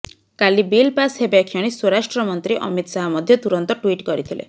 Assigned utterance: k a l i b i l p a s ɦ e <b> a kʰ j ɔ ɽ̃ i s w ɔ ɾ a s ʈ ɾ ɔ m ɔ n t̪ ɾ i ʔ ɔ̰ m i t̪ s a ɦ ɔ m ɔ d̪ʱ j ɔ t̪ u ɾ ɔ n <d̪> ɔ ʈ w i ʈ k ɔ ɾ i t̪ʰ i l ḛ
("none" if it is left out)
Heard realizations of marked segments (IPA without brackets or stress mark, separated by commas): b, t̪